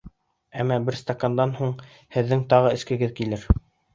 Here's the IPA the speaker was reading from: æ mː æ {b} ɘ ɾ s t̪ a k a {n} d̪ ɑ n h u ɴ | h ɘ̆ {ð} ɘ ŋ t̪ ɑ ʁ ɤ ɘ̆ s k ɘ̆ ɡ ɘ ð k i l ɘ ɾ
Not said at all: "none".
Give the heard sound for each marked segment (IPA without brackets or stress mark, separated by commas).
b, n, ðː